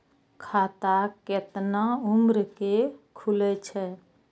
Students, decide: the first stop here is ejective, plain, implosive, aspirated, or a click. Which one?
aspirated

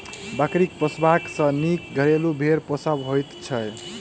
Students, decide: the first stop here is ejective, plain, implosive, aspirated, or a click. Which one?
plain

